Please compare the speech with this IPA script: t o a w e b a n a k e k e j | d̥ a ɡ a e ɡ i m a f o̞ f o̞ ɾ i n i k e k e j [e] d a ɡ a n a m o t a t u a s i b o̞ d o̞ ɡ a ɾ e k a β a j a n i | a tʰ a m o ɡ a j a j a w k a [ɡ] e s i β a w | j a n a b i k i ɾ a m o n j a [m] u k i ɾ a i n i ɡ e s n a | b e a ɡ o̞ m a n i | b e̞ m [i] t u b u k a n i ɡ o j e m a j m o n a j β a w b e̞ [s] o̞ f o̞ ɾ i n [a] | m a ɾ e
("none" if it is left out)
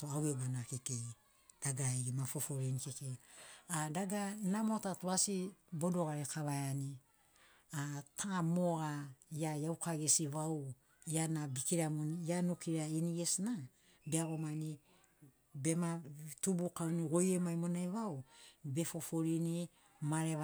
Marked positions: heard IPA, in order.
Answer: a, ɡ, n, a, f, i

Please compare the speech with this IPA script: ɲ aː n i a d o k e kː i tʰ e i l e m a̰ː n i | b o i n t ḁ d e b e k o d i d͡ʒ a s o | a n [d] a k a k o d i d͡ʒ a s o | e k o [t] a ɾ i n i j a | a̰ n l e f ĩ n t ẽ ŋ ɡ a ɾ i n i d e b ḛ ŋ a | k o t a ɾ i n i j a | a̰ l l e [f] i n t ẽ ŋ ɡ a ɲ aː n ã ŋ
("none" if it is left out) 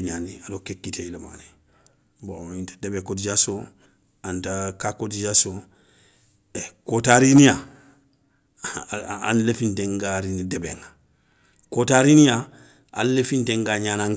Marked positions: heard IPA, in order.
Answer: t, t, f

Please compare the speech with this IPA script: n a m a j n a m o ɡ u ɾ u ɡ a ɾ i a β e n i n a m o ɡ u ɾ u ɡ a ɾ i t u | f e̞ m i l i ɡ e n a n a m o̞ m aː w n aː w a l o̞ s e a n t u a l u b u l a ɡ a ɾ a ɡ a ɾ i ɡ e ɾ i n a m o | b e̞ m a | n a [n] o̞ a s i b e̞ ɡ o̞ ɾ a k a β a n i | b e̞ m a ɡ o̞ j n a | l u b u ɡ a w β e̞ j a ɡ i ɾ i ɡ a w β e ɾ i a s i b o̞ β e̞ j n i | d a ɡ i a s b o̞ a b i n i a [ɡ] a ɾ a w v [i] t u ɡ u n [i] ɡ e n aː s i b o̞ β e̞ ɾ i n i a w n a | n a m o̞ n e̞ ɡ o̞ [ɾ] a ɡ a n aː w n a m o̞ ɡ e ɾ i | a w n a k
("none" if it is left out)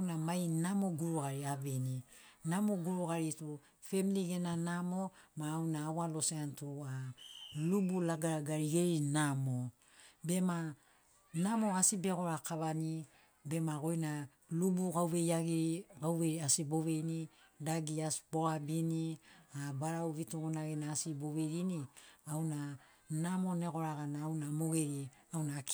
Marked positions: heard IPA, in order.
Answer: m, b, i, a, ɾ

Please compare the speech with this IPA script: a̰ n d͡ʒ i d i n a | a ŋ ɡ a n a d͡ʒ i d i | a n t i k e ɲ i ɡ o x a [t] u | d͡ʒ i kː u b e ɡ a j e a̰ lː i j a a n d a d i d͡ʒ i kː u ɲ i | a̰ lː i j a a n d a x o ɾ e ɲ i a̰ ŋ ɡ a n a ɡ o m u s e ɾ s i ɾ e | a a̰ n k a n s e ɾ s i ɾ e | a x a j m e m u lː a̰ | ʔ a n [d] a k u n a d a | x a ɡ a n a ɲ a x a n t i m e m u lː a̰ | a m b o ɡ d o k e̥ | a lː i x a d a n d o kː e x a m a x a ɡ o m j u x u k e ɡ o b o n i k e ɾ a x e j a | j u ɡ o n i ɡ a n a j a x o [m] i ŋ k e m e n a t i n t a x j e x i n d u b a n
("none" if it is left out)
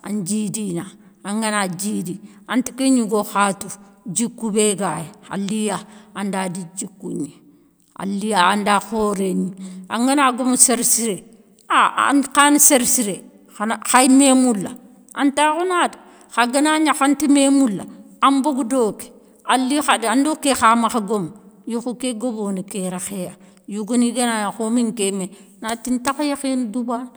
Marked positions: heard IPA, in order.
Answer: t, t, m

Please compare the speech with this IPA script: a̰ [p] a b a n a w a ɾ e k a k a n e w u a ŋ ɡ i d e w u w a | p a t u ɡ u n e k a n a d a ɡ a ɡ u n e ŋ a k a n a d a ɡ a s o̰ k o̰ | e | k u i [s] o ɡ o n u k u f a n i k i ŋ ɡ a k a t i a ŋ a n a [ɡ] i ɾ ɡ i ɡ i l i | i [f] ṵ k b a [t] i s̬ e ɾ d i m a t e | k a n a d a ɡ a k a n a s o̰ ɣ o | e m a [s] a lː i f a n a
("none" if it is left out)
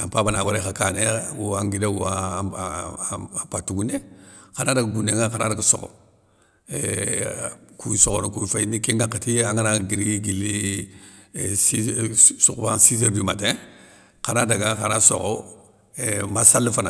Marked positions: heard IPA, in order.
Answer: p, s, ɡ, s, s, s

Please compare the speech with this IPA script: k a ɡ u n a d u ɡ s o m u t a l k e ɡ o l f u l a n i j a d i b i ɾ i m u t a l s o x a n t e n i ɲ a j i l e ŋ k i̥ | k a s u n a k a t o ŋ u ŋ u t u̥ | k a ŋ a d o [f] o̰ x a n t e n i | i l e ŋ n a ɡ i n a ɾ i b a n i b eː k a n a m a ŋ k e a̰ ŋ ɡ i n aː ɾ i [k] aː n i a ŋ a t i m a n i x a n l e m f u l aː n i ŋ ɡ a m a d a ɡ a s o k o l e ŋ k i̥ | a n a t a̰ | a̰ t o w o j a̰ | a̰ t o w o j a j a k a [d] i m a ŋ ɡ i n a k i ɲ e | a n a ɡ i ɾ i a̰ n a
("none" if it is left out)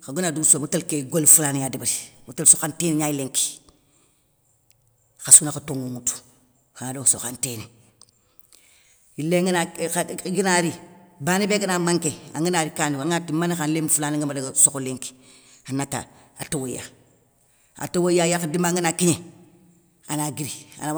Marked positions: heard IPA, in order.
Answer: s, k, d

